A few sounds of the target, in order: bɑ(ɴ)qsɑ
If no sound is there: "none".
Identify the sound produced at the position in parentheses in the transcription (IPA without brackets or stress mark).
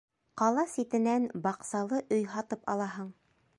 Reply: none